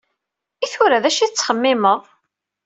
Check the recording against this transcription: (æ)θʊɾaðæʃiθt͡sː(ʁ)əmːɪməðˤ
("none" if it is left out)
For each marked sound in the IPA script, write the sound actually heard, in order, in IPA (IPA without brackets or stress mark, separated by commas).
i, χ